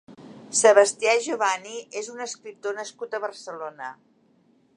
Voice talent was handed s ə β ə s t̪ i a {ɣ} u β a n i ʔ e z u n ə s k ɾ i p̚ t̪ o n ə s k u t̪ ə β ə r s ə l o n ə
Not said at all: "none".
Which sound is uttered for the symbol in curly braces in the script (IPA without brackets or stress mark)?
ʒ